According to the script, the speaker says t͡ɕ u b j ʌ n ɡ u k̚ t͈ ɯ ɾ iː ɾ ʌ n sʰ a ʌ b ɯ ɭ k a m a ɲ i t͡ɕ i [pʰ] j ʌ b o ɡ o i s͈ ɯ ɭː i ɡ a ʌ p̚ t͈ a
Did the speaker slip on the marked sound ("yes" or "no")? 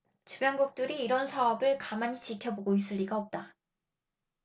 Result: yes